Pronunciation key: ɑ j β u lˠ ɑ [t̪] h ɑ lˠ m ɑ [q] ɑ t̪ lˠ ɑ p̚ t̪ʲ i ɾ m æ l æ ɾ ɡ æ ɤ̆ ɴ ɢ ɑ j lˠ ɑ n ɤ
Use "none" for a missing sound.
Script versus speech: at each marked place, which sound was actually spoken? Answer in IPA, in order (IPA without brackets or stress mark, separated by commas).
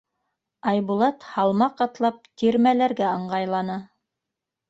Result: t̪, q